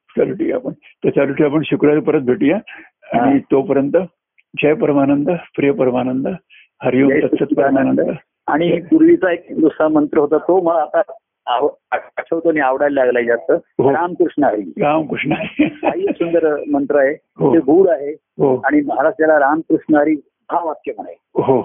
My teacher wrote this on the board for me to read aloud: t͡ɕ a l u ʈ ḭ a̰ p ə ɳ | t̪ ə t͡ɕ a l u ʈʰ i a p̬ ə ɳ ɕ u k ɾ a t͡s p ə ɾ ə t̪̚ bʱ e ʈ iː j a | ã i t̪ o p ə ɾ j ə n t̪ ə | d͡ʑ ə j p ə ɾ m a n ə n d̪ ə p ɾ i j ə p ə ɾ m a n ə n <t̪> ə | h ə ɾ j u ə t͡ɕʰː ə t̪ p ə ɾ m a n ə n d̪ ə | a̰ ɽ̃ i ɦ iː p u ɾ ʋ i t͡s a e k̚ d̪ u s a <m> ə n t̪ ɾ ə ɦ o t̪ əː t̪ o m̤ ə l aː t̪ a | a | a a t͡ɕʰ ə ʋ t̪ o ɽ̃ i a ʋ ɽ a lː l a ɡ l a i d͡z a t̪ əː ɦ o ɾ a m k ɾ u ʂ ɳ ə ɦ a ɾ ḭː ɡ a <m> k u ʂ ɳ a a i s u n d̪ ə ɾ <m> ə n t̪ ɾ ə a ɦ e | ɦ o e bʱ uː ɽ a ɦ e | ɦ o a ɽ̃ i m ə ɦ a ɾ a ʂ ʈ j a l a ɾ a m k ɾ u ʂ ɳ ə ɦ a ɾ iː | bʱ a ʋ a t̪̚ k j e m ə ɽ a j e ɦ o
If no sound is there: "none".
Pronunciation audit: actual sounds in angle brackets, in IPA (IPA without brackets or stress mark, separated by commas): d̪, m, m, m